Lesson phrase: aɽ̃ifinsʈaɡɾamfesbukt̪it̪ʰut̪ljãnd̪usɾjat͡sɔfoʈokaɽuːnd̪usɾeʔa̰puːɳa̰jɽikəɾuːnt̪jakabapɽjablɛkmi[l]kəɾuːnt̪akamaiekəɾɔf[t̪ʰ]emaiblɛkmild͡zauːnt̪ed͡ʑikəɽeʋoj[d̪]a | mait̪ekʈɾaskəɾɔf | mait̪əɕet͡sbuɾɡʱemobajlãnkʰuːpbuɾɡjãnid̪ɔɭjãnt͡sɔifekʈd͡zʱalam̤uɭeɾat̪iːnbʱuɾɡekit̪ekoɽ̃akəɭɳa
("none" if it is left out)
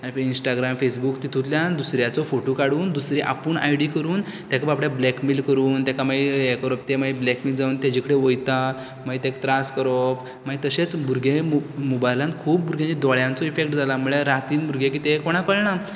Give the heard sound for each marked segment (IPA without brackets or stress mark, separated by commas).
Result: l, t̪, t̪